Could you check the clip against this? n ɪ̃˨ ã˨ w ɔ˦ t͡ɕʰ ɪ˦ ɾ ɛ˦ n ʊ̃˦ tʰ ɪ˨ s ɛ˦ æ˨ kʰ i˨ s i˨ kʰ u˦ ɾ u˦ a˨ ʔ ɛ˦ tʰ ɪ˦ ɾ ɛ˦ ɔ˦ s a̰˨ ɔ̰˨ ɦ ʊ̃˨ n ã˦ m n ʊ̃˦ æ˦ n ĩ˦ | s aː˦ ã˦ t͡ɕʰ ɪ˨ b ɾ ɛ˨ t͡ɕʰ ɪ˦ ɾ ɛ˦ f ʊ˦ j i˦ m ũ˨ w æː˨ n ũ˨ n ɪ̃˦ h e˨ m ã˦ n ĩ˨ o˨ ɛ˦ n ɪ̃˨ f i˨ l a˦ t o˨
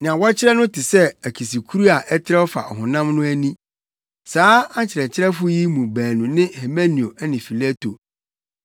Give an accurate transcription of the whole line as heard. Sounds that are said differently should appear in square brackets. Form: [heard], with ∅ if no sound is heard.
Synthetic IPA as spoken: n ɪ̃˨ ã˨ w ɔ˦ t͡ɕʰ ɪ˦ ɾ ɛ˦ n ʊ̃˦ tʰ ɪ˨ s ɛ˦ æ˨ kʰ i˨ s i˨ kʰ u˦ ɾ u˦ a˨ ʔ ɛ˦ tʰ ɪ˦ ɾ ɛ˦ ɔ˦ [f] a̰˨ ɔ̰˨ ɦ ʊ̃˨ n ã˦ m n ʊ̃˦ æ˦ n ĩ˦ | s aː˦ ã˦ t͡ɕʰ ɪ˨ [∅] ɾ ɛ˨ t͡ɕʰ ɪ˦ ɾ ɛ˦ f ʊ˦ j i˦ m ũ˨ [b] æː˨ n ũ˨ n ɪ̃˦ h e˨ m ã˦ n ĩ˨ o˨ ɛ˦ n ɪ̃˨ f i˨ l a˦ t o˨

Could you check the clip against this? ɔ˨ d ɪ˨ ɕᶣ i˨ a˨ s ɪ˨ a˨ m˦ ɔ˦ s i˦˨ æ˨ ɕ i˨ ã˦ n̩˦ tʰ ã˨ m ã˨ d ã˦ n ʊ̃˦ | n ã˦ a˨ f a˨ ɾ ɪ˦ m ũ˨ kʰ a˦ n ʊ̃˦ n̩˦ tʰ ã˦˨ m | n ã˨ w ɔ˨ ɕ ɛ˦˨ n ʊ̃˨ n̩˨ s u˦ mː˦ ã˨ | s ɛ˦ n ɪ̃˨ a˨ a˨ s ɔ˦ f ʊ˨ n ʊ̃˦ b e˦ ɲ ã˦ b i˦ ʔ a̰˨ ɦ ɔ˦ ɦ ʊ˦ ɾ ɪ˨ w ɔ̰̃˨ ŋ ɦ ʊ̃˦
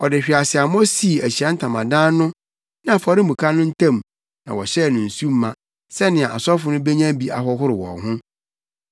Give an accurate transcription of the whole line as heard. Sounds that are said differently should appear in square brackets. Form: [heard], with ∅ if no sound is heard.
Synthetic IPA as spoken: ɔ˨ d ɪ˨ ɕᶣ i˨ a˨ s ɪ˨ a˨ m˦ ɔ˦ s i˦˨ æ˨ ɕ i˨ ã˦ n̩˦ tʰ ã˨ m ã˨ d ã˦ n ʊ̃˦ | n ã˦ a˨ f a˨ ɾ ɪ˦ m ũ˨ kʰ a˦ n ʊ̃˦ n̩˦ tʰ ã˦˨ m | n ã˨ w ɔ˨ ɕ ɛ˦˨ n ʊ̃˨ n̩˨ s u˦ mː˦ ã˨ | s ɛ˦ n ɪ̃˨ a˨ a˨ s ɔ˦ f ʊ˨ n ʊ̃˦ b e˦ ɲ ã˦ b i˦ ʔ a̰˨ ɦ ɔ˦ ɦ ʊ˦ ɾ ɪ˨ w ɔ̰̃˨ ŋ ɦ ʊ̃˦

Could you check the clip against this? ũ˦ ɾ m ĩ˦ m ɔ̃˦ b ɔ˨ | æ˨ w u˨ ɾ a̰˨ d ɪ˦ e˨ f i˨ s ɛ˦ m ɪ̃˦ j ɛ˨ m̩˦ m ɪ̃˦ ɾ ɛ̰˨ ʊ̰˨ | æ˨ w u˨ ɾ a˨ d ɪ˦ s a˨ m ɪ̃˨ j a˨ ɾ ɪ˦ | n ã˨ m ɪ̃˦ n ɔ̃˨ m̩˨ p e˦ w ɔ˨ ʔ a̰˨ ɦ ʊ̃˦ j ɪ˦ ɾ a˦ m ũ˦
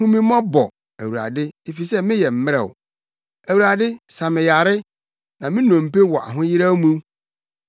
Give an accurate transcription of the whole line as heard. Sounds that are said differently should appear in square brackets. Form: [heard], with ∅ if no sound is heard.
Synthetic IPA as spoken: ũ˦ [∅] m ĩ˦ m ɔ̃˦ b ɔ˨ | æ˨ w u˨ ɾ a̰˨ d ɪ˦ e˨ f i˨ s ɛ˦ m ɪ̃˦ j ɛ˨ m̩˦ m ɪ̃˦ ɾ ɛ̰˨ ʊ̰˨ | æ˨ w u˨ ɾ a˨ d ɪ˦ s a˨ m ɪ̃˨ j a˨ ɾ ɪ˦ | n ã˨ m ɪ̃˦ n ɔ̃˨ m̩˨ p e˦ w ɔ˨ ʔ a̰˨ ɦ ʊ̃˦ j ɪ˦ ɾ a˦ m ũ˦

